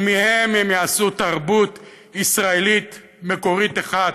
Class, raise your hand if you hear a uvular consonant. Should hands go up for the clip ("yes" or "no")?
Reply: yes